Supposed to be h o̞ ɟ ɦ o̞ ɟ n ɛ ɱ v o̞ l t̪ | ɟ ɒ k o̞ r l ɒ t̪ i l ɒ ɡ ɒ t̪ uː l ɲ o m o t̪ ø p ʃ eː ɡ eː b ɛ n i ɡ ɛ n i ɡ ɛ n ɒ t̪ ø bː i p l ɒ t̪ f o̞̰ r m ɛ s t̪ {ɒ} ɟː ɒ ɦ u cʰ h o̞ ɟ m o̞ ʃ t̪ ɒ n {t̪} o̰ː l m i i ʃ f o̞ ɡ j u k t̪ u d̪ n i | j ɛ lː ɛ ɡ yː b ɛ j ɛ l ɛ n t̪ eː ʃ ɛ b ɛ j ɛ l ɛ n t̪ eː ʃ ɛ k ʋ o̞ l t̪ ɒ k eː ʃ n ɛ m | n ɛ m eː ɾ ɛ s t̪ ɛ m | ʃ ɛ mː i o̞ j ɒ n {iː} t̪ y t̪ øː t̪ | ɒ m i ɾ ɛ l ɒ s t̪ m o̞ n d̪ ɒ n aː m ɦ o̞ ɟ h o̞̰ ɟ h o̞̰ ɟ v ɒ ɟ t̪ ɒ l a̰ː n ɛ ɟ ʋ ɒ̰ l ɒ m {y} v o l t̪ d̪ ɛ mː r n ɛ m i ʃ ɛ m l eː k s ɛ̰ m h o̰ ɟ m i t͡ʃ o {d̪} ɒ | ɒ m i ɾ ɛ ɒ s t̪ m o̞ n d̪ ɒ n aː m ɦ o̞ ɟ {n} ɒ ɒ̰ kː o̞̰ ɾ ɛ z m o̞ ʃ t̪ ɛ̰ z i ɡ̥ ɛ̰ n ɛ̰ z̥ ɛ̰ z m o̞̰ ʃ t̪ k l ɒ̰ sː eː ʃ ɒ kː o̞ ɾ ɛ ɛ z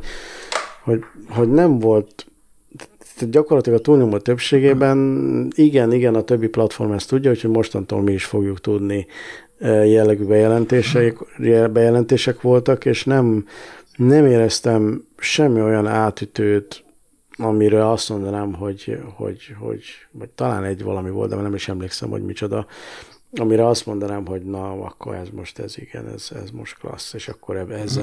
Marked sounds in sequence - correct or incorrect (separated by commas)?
incorrect, correct, incorrect, incorrect, correct, correct